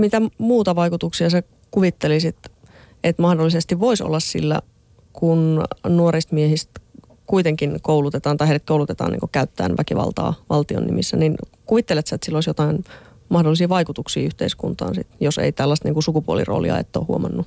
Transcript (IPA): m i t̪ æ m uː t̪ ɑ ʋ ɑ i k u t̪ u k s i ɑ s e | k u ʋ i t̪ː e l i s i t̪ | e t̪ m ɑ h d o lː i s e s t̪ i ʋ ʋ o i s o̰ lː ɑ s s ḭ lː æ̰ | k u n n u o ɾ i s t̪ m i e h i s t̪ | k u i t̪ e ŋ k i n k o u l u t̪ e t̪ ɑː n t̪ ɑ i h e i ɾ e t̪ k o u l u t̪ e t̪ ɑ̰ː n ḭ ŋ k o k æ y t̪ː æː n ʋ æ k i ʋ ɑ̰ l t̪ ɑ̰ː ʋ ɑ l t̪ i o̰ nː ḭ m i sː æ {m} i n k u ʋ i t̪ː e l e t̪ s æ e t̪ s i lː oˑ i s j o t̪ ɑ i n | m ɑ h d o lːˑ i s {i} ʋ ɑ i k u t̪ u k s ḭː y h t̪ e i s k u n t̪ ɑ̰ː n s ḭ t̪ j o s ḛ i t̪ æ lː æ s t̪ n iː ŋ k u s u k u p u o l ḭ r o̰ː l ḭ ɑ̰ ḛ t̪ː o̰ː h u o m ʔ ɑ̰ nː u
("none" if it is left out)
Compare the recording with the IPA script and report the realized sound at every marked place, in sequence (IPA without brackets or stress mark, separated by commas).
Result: n, iː